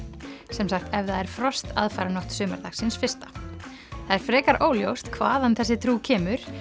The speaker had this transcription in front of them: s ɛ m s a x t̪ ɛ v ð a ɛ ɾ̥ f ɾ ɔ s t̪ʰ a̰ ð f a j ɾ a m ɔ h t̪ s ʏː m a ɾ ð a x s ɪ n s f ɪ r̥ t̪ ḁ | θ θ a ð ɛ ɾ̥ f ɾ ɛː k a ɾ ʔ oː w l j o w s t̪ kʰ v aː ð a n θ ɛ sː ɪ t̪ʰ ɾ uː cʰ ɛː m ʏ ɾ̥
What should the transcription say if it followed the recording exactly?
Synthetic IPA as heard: s ɛ m s a x t̪ ɛ v ð a ɛ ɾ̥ f ɾ ɔ s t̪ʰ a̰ ð f a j ɾ a n ɔ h t̪ s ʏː m a ɾ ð a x s ɪ n s f ɪ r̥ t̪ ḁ | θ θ a ð ɛ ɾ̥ f ɾ ɛː k a ɾ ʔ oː w l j o w s t̪ kʰ v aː ð a n θ ɛ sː ɪ t̪ʰ ɾ uː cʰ ɛː m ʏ ɾ̥